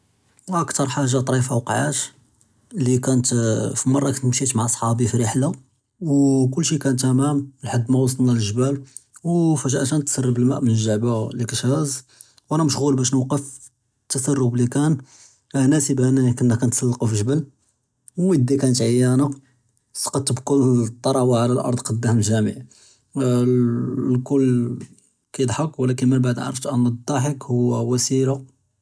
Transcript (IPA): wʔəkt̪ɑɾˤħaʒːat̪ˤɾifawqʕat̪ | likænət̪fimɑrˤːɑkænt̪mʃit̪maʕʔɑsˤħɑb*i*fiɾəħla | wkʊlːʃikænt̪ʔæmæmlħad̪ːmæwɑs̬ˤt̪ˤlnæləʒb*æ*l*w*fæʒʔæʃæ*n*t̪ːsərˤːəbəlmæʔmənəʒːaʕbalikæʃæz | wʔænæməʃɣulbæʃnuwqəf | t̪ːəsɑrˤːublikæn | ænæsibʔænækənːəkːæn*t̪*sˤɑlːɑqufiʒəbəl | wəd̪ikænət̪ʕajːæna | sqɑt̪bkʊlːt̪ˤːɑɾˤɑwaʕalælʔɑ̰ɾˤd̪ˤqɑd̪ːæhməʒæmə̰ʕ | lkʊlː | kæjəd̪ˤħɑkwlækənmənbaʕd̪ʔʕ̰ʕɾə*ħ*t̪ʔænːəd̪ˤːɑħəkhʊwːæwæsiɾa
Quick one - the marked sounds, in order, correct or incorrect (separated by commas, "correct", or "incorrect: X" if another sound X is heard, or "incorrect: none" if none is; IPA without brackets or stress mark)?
correct, correct, correct, correct, correct, incorrect: f